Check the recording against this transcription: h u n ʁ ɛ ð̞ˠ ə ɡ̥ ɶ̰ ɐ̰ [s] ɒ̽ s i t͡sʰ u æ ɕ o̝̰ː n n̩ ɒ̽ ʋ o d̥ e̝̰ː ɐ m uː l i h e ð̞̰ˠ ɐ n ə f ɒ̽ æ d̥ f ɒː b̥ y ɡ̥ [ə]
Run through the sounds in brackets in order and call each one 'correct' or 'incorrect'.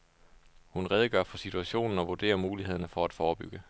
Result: incorrect: f, correct

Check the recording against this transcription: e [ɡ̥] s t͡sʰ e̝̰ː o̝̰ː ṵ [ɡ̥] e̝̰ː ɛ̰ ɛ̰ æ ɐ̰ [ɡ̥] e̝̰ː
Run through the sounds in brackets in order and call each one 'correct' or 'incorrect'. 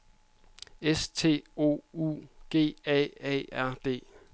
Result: incorrect: none, correct, incorrect: d̥

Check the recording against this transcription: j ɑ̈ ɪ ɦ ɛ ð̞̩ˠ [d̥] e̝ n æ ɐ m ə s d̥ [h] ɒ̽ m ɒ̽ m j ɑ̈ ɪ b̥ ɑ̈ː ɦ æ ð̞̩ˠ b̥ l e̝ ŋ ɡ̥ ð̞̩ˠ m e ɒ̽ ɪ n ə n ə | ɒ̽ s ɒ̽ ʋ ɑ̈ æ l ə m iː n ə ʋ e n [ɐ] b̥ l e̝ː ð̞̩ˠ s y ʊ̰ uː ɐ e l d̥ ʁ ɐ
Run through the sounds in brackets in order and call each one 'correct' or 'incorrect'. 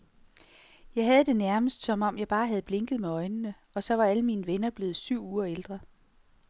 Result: correct, incorrect: s, correct

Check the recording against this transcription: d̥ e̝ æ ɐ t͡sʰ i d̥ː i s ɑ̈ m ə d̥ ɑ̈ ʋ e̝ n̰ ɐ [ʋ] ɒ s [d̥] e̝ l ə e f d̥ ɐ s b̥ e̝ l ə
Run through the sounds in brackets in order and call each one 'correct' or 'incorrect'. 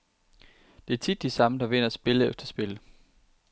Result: incorrect: none, incorrect: b̥

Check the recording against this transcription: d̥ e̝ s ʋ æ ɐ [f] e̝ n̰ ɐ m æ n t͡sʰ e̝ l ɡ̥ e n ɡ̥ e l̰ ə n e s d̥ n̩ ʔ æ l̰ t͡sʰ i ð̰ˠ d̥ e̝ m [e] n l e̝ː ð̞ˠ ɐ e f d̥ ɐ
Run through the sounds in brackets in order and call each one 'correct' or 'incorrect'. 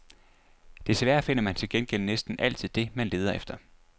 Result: correct, incorrect: æ

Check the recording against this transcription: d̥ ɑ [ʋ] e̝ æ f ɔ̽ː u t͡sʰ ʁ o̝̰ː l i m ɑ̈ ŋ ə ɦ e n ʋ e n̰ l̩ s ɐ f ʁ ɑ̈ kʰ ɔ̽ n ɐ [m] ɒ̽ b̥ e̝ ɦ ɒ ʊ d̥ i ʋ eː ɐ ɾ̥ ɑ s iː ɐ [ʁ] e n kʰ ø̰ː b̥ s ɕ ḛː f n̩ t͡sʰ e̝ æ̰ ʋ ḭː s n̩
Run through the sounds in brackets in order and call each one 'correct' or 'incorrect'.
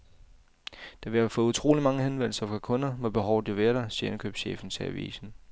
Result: correct, correct, incorrect: none

